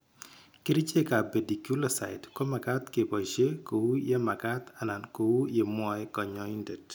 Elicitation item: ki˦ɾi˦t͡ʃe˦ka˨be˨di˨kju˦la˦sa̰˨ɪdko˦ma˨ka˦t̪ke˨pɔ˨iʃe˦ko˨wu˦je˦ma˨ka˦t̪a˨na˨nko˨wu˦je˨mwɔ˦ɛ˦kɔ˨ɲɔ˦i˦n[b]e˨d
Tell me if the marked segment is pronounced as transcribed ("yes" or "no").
no